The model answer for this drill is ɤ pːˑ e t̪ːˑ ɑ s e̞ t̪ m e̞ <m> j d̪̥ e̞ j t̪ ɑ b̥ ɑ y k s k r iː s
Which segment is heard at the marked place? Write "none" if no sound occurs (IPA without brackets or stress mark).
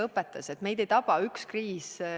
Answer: none